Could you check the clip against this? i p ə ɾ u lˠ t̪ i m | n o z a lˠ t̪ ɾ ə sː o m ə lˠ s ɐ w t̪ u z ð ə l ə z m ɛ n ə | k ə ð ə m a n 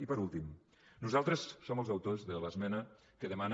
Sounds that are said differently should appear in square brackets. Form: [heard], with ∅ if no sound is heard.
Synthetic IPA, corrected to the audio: i p ə ɾ u lˠ t̪ i m | n [u] z a lˠ t̪ ɾ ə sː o m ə lˠ [z] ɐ w t̪ [o] z ð ə l ə z m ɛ n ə | k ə ð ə m a n